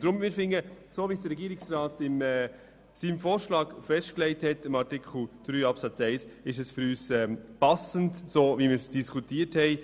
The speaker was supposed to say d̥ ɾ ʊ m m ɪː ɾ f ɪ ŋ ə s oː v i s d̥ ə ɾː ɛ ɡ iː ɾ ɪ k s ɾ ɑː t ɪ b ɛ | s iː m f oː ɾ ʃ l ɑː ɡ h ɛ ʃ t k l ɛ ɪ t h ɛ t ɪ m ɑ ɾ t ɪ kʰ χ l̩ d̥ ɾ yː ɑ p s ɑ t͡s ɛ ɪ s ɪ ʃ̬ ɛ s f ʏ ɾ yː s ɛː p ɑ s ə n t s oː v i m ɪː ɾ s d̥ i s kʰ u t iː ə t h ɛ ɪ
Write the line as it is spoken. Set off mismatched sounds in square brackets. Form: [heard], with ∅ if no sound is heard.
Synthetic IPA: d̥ ɾ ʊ m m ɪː ɾ f ɪ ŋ ə s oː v i s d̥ ə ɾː ɛ ɡ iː ɾ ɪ k s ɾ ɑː t ɪ [m] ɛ | s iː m f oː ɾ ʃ l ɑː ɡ [f] ɛ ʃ t k l ɛ ɪ t h ɛ t ɪ m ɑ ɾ t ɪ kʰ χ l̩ d̥ ɾ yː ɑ p s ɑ t͡s ɛ ɪ s ɪ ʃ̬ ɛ s f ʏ ɾ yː s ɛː p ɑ s ə n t s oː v i m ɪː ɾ s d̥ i s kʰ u t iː ə t h ɛ ɪ